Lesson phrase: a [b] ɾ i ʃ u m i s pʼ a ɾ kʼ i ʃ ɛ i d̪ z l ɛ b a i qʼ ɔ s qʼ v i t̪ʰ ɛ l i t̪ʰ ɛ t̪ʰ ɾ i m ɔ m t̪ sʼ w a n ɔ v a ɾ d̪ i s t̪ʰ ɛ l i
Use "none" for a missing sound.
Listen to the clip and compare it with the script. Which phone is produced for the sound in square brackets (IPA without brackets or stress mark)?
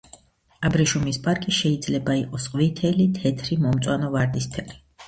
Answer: b